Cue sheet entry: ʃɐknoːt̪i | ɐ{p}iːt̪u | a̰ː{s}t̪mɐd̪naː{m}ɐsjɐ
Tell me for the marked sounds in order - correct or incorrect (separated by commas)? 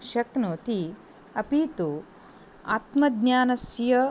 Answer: correct, incorrect, incorrect